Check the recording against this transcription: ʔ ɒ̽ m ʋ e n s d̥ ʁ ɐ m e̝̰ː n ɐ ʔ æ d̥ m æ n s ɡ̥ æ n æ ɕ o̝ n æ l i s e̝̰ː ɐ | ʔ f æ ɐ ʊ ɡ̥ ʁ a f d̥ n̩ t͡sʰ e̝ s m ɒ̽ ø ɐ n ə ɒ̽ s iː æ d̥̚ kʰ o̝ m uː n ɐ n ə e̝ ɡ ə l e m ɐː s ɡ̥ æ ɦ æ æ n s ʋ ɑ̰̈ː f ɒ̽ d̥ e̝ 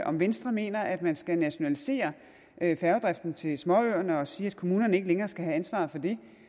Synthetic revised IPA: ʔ ɒ̽ m ʋ e n s d̥ ʁ ɐ m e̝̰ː n ɐ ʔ æ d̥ m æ n s ɡ̥ æ n æ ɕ o̝ n æ l i s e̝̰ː ɐ | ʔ f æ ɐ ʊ d̥ ʁ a f d̥ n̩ t͡sʰ e̝ s m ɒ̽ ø ɐ n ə ɒ̽ s iː æ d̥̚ kʰ o̝ m uː n ɐ n ə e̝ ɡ ə l e ŋ ɐː s ɡ̥ æ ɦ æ æ n s ʋ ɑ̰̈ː f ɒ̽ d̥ e̝